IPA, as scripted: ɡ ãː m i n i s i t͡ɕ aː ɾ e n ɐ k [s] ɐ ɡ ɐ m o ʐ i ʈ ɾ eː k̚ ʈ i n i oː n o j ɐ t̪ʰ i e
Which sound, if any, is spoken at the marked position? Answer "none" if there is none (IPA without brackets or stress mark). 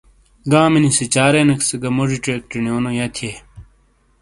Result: s